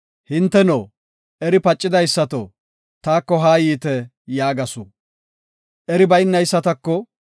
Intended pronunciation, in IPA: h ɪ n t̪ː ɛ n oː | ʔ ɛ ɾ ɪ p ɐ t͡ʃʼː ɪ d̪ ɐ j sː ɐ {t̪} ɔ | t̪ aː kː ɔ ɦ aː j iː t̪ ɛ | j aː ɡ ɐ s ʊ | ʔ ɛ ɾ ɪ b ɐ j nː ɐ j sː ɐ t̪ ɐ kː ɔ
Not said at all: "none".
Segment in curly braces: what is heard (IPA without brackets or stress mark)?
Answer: t̪